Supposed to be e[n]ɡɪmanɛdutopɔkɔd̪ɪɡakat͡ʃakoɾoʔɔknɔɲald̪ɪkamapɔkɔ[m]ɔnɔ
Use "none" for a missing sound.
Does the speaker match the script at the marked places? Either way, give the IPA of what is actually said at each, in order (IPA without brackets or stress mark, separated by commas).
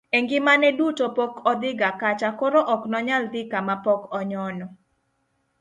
ŋ, ɲ